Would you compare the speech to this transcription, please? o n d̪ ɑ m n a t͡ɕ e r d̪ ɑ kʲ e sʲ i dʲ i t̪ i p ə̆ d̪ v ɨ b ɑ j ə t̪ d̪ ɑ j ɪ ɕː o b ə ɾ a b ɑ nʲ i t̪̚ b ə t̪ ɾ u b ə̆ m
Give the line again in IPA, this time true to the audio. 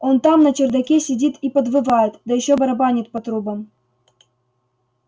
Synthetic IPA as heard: o n t̪ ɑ m n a t͡ɕ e r d̪ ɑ kʲ e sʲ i dʲ i t̪ i p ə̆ d̪ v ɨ v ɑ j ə t̪ d̪ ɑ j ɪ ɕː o b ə ɾ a b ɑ nʲ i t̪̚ p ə t̪ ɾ u b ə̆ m